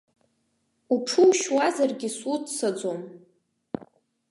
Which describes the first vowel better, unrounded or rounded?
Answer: rounded